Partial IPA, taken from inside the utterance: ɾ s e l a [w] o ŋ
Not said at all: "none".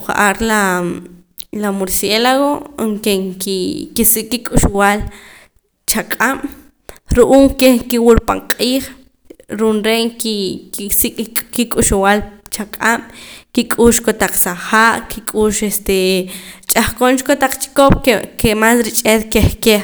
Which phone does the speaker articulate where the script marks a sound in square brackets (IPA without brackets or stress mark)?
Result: ɣ